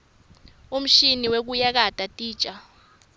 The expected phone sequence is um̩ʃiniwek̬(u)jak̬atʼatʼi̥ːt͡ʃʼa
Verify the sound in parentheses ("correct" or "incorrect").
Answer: correct